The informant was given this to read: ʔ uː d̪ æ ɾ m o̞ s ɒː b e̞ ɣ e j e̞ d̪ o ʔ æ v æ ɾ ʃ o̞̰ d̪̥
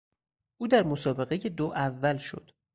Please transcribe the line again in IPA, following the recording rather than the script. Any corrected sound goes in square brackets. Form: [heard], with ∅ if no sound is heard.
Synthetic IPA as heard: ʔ uː d̪ æ ɾ m o̞ s ɒː b e̞ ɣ e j e̞ d̪ o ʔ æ [vː] æ [l] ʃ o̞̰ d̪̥